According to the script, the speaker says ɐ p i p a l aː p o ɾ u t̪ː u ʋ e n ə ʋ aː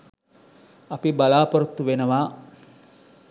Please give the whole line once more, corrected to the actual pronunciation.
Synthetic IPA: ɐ p i b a l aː p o ɾ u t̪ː u ʋ e n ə ʋ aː